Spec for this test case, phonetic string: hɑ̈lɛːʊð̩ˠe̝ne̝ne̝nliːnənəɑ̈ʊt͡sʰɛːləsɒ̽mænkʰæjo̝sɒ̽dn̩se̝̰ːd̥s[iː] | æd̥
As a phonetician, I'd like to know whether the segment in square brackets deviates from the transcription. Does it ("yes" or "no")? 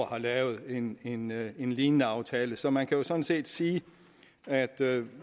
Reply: no